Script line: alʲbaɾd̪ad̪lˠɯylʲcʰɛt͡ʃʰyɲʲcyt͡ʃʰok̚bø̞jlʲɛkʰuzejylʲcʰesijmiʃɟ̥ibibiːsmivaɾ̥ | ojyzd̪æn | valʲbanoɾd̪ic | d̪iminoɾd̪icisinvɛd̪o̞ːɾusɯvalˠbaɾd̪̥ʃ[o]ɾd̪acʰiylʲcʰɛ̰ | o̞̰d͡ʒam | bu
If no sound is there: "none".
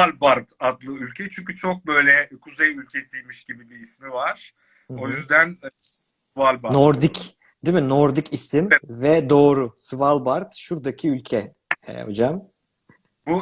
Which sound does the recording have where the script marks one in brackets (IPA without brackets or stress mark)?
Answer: u